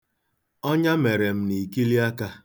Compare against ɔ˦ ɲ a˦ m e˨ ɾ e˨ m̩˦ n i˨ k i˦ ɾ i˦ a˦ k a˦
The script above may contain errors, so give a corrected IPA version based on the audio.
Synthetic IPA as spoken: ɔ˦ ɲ a˦ m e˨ ɾ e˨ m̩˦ n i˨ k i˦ l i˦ a˦ k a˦